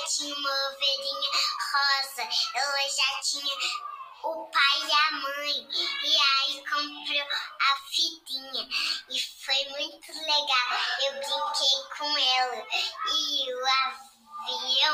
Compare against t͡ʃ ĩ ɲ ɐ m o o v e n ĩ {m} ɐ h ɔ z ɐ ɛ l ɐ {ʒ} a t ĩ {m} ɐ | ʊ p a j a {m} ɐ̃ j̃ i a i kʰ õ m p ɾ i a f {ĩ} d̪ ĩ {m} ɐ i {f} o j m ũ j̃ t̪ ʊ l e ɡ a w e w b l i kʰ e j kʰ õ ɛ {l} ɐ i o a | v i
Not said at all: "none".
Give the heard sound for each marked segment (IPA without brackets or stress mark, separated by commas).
ɲ, ʒ, ɲ, m, i, ɲ, f, l